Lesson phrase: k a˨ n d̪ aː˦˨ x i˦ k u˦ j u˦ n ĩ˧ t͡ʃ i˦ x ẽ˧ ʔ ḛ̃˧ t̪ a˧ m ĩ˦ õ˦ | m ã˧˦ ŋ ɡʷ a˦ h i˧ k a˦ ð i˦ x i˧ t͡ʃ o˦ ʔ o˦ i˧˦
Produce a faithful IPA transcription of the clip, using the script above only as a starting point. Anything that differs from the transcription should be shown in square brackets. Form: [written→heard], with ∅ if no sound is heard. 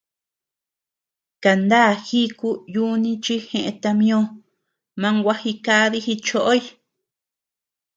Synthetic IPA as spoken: k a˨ n d̪ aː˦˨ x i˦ k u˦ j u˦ n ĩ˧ t͡ʃ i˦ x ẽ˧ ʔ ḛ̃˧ t̪ a˧ m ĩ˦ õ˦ | m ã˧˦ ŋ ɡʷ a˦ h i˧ k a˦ ð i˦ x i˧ t͡ʃ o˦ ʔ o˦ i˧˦